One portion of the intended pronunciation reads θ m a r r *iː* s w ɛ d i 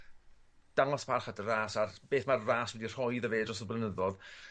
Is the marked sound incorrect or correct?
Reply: incorrect